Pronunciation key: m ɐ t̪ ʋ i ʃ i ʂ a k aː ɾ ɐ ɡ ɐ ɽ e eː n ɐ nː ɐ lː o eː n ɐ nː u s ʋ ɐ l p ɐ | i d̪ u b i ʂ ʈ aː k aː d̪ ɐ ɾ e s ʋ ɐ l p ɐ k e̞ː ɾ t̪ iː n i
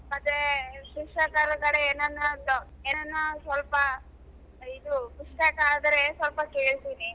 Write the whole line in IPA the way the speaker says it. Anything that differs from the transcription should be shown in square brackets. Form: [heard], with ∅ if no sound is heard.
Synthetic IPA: m ɐ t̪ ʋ [e] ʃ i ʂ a k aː ɾ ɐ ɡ ɐ ɽ e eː n ɐ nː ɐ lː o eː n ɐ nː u s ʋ ɐ l p ɐ | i d̪ u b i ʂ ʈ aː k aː d̪ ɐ ɾ e s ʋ ɐ l p ɐ k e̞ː [ɭ] t̪ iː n i